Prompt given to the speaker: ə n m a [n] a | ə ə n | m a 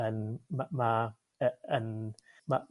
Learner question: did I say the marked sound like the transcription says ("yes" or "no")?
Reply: no